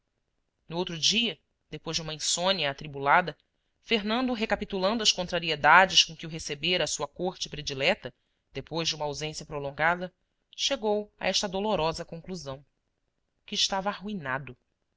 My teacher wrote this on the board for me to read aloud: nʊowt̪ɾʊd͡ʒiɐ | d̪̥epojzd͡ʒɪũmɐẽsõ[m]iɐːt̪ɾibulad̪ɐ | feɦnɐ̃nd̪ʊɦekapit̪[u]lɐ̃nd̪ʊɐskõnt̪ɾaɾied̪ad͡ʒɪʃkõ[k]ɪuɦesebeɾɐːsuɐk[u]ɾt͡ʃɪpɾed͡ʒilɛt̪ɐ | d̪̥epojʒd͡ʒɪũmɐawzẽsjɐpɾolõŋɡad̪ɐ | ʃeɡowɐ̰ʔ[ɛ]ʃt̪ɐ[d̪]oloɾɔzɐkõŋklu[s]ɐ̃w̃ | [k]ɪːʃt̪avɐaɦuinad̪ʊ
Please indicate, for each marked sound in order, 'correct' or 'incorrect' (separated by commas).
incorrect, correct, correct, incorrect, correct, correct, incorrect, correct